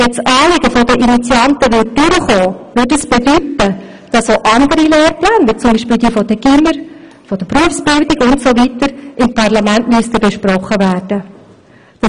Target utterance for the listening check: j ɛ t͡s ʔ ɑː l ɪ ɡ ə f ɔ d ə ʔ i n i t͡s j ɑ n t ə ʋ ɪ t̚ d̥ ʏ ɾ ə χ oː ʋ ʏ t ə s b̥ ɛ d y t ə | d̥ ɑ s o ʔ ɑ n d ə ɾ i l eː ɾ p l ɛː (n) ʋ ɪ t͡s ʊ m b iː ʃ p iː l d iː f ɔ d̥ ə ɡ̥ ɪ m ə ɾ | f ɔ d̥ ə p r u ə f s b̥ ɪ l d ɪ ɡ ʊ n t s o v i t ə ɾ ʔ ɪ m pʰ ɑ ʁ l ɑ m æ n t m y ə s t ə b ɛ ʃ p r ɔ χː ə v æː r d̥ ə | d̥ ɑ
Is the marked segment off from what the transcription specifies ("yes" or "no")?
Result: no